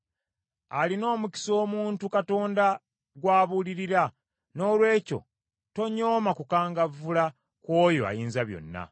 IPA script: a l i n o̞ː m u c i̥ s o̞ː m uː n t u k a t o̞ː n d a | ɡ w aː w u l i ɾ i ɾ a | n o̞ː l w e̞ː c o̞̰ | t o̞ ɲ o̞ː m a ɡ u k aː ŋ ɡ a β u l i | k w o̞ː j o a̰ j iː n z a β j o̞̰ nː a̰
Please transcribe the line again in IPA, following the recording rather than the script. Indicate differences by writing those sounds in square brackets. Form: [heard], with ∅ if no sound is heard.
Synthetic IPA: a l i n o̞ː m u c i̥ s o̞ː m uː n t u k a t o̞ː n d a | ɡ w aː [β] u l i ɾ i ɾ a | n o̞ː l w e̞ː c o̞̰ | t o̞ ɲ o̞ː m a [k] u k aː ŋ ɡ a [v] u l [a] | k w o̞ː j o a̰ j iː n z a β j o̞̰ nː a̰